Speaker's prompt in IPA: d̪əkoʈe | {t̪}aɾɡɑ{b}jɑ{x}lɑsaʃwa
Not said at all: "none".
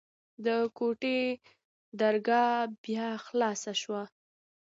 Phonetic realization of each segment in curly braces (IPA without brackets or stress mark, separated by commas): d̪, b, x